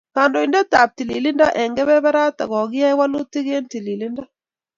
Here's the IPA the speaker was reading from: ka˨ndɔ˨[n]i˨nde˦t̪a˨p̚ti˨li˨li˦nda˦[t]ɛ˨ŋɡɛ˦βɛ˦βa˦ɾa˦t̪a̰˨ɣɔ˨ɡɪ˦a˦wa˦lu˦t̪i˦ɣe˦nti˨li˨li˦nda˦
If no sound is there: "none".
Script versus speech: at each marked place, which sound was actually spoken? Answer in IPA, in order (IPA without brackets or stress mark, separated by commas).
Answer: none, ʔ